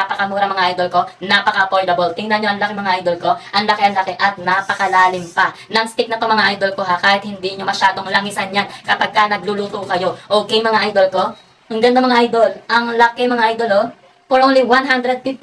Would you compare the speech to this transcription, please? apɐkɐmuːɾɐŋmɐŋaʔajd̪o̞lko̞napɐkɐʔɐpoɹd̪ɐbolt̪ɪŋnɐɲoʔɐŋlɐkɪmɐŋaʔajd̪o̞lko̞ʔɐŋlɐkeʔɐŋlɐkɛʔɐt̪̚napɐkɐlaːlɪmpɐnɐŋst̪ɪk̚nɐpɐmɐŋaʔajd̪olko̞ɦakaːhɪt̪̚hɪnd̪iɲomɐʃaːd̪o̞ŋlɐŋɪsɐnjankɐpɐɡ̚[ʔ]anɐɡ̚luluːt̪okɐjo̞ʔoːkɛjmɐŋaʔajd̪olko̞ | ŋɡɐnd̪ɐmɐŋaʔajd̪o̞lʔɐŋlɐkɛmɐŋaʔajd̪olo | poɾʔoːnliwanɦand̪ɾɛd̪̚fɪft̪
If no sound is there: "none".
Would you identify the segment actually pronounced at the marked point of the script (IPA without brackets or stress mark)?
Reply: k